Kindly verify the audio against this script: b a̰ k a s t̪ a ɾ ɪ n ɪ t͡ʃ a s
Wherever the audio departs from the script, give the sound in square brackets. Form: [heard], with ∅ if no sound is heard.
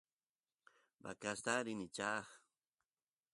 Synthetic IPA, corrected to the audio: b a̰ k a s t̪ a ɾ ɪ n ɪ t͡ʃ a [χ]